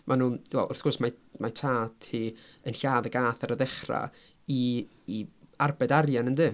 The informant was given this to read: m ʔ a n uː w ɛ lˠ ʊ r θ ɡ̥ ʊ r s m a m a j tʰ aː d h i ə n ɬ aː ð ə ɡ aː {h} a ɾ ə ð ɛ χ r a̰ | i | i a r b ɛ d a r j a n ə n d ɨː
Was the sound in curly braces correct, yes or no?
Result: no